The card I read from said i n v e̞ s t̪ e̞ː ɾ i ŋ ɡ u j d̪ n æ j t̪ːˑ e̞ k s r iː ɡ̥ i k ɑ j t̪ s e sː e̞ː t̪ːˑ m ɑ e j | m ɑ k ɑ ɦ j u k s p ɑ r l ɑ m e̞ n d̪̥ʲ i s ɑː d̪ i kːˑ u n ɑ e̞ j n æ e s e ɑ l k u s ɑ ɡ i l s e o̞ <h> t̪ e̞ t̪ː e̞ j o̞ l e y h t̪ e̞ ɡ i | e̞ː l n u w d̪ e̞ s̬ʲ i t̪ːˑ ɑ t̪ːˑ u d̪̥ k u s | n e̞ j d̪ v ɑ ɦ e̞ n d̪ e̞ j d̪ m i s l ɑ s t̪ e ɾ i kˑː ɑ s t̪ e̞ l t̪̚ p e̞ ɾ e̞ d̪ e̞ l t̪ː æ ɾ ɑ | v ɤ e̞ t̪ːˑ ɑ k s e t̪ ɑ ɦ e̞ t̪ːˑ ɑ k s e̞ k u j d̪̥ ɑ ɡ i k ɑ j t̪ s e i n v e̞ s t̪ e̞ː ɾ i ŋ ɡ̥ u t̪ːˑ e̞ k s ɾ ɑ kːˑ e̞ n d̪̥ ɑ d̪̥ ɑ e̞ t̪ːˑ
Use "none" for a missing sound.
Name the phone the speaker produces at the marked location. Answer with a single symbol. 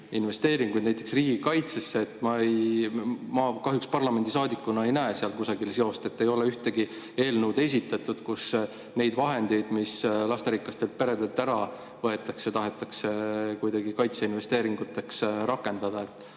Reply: s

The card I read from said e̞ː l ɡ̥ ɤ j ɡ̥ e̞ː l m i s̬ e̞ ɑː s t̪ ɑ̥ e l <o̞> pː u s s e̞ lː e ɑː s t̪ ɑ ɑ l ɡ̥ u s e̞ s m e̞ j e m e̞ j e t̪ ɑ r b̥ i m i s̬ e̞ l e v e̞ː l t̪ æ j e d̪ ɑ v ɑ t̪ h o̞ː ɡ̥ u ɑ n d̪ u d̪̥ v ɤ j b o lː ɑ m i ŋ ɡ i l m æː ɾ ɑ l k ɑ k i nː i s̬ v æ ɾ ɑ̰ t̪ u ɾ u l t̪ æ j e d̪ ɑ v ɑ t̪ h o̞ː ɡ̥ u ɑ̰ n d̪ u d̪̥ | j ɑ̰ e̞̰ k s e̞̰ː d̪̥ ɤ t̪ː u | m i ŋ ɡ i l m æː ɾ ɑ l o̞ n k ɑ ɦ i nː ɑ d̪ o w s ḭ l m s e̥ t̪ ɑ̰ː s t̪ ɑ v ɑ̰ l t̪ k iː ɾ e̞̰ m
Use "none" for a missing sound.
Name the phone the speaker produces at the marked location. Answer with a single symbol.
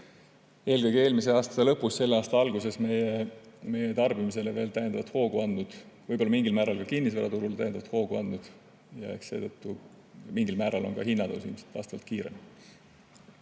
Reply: ɤ̞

